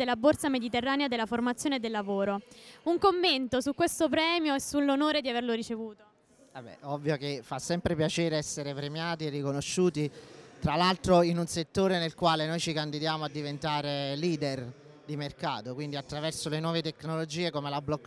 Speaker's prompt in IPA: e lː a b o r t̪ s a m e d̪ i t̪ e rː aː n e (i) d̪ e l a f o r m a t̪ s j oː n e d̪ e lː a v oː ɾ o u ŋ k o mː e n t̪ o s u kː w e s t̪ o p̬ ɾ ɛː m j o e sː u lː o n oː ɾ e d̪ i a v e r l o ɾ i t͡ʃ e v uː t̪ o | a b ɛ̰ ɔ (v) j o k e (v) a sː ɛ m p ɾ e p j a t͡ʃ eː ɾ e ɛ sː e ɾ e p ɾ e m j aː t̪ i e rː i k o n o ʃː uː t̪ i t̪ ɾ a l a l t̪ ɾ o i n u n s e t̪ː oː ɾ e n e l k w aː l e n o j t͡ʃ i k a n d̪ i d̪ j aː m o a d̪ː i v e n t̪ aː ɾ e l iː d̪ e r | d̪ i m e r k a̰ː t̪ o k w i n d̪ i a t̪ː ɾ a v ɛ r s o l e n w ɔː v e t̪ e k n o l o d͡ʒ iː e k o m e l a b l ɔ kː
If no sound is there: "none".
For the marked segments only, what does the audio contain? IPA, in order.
a, vː, f

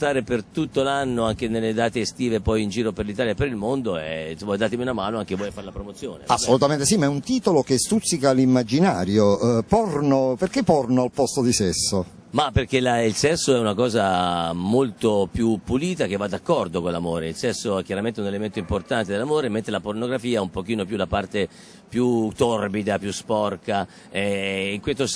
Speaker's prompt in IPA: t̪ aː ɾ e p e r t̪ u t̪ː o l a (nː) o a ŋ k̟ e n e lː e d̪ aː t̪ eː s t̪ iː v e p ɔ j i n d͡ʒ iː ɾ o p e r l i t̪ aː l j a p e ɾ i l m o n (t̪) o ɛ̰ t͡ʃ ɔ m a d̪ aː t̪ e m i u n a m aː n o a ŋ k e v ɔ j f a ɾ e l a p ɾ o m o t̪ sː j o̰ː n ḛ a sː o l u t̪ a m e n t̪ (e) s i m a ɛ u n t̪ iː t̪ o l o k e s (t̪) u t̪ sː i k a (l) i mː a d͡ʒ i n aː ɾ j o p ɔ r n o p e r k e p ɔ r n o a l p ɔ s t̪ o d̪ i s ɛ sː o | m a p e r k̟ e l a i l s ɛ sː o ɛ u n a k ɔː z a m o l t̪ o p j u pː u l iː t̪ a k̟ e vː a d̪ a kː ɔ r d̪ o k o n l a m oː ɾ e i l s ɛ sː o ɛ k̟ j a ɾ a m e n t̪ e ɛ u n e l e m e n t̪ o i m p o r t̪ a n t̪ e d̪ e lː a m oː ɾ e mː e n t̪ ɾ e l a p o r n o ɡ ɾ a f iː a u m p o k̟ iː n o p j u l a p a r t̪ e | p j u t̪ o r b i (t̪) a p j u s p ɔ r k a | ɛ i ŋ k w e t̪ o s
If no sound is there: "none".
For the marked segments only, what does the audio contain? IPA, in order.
nː, d̪, e, t̪, l, d̪

